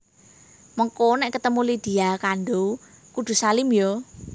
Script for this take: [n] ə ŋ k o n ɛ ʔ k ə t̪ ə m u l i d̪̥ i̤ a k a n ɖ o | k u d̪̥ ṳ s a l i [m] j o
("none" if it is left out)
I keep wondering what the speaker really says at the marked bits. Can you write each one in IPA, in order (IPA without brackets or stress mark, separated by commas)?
m, m